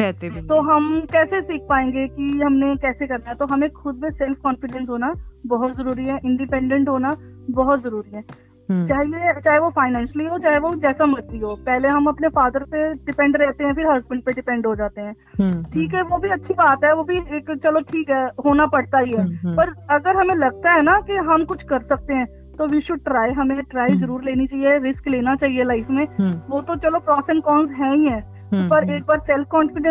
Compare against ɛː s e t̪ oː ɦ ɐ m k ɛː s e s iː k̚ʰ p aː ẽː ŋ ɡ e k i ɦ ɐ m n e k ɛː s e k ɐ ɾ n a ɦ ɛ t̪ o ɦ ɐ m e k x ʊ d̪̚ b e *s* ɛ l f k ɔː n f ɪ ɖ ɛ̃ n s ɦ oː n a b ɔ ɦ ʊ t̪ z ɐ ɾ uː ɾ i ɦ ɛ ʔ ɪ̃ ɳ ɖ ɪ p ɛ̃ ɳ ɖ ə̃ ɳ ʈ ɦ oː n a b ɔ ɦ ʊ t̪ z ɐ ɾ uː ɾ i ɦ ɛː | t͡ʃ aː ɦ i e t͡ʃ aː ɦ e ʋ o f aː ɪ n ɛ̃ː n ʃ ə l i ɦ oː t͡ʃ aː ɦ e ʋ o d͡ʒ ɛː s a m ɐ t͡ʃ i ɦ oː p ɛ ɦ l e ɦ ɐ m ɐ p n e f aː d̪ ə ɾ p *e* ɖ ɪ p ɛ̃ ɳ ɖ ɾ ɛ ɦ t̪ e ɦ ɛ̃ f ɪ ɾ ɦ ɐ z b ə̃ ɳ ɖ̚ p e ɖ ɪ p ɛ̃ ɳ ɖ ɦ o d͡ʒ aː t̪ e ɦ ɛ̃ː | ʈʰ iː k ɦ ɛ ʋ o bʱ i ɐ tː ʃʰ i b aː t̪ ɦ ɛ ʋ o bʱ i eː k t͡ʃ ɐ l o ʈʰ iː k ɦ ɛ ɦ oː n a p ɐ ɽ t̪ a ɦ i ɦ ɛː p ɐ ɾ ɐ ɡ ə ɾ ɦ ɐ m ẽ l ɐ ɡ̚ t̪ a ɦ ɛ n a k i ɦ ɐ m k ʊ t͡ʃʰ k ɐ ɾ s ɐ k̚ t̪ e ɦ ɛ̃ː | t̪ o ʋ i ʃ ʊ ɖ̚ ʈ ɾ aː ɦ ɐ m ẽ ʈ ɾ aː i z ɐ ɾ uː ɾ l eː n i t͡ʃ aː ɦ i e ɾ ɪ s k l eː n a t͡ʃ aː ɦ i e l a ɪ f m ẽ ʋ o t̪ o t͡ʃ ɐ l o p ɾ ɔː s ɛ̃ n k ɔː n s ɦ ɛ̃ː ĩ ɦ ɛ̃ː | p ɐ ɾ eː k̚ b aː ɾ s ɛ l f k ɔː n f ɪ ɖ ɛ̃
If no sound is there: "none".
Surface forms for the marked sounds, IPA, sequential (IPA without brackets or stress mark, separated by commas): s, e